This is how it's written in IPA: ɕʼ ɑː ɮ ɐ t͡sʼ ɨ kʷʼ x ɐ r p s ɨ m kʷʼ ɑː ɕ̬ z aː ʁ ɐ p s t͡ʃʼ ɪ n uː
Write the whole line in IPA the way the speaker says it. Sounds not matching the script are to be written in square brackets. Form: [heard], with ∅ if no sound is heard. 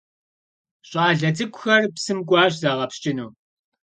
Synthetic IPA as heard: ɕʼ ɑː ɮ ɐ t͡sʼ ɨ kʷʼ x ɐ r p s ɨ m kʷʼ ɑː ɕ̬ z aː ʁ ɐ p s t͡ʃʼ ɪ n uː